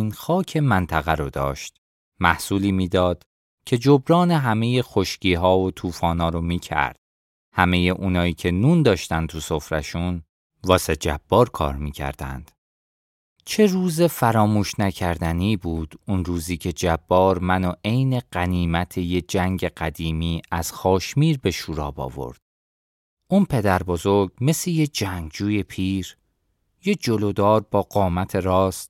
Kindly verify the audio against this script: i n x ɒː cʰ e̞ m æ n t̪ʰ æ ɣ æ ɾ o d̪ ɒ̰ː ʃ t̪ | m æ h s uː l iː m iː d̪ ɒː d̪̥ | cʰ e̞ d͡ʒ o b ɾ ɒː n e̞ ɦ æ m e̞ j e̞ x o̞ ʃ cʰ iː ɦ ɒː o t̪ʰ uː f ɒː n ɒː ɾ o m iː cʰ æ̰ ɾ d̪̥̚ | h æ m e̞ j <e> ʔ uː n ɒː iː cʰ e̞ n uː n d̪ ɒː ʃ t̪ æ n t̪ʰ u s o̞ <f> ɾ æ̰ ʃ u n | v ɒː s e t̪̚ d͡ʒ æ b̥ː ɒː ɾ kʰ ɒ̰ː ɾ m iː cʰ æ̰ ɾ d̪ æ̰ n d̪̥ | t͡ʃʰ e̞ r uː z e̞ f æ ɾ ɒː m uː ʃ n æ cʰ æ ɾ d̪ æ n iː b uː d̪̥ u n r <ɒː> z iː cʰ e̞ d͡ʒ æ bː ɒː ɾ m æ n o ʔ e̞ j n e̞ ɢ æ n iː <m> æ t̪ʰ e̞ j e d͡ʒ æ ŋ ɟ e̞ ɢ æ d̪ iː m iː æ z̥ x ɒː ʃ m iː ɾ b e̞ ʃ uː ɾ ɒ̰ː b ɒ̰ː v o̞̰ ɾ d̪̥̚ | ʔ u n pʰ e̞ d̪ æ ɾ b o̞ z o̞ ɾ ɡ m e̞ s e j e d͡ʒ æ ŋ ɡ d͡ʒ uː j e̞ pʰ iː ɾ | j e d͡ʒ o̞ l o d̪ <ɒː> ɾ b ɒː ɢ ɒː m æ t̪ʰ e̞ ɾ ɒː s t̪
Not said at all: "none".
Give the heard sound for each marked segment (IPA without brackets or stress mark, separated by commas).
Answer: e, f, uː, m, ɒː